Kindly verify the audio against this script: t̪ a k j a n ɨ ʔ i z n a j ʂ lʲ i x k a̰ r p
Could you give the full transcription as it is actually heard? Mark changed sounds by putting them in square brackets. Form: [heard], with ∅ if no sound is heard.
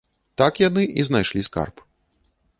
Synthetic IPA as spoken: t̪ a k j a n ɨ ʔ i z n a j ʂ lʲ i [s] k a̰ r p